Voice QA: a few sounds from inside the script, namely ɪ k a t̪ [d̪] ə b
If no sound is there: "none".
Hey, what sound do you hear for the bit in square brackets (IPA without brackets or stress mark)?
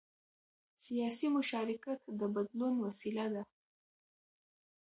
d̪